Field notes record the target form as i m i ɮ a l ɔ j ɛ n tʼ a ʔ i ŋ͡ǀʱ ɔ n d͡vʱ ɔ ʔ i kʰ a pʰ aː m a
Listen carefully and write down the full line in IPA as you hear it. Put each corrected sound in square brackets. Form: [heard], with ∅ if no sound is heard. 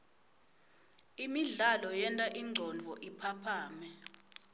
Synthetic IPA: i m i ɮ a l ɔ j ɛ n tʼ a ʔ i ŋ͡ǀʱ ɔ n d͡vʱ ɔ ʔ i [pʰ] a pʰ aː m [ɛ]